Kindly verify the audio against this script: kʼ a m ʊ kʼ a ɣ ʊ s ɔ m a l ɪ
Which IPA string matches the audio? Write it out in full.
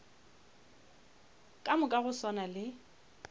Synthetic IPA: kʼ a m ʊ kʼ a ɣ ʊ s ɔ n a l ɪ